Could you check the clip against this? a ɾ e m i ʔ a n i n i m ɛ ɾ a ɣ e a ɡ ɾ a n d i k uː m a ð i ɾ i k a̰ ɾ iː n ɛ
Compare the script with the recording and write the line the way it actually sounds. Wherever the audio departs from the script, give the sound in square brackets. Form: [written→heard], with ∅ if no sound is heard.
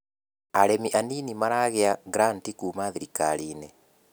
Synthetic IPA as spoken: a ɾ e m i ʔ a n i n i m [ɛ→a] ɾ a ɣ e a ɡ ɾ a n [d→t] i k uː m a ð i ɾ i k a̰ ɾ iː n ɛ